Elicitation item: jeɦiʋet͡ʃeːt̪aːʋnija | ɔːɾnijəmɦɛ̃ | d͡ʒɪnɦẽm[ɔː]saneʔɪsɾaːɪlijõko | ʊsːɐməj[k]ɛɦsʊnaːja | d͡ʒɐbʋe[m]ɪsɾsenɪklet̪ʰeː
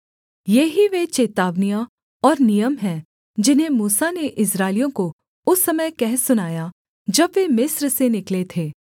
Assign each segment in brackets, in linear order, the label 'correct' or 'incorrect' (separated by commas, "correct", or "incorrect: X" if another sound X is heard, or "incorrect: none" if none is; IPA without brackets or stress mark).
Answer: incorrect: uː, correct, correct